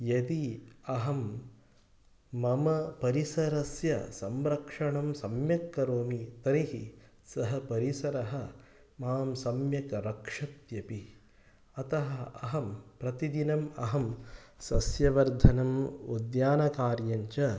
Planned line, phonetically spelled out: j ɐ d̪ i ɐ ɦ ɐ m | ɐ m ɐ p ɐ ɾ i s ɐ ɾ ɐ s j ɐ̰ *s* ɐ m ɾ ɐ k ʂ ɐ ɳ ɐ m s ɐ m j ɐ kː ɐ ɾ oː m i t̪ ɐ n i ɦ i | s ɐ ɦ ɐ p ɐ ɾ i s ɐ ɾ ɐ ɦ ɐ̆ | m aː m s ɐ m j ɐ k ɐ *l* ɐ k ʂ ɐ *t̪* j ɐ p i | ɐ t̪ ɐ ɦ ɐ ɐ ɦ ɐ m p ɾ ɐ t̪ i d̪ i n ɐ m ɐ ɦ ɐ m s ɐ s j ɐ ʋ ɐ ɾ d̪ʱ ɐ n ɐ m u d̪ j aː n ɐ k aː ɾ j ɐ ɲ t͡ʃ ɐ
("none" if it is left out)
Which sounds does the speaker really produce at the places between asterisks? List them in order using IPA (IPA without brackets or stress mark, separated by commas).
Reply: s, ɾ, t̪